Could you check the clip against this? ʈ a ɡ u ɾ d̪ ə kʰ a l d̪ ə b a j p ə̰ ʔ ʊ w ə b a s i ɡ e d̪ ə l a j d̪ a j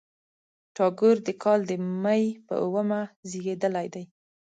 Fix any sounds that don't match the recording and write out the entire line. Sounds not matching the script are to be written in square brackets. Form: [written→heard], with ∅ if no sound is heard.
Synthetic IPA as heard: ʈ [a→ɑ] ɡ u ɾ d̪ ə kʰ [a→ɑ] l d̪ ə [b→m] a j p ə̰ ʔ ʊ w ə [b→m] a [s→z] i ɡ e d̪ ə l a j d̪ a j